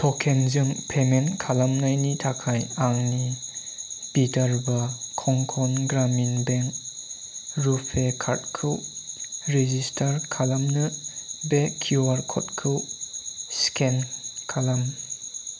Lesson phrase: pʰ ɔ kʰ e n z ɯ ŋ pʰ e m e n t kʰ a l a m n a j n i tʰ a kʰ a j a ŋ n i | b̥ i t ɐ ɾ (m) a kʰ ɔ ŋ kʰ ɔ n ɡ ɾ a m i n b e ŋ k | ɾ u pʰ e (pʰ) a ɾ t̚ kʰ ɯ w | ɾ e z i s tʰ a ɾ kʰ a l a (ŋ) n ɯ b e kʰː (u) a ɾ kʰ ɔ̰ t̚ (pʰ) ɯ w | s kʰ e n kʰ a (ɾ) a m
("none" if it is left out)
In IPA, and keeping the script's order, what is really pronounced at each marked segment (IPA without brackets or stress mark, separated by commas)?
b, kʰ, m, u, kʰ, l